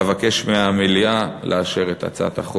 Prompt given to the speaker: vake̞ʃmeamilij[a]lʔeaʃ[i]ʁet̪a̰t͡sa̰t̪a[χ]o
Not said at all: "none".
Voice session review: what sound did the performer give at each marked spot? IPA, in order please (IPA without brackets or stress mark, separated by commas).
a, e, χ